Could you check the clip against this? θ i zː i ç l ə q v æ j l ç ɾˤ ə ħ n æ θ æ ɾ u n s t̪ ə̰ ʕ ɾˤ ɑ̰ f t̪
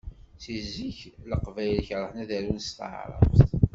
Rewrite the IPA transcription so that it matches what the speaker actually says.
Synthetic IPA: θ i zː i ç l ə q v æ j l ç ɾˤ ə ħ n æ ð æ ɾ u n s t̪ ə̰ ʕ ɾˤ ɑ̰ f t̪